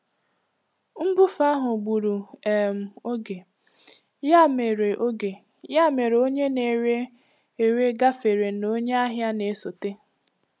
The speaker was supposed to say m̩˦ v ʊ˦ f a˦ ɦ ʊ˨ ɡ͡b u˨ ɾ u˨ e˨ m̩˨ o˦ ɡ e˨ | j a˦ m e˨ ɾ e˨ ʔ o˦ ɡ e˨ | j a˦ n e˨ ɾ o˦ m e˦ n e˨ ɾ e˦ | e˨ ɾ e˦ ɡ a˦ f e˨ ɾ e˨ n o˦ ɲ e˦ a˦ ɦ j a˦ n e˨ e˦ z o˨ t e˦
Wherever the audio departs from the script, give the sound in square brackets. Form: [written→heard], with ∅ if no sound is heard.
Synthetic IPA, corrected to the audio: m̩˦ [v→b] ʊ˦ f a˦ ɦ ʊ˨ ɡ͡b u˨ ɾ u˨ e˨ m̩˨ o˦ ɡ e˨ | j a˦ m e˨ ɾ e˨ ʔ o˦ ɡ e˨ | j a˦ [n→m] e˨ ɾ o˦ [m→ɲ] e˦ n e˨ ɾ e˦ | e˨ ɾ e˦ ɡ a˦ f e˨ ɾ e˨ n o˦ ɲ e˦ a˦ ɦ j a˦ n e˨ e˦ [z→s] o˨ t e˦